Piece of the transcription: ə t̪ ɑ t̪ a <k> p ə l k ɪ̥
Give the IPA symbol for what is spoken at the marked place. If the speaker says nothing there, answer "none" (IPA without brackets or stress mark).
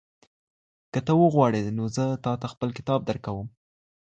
x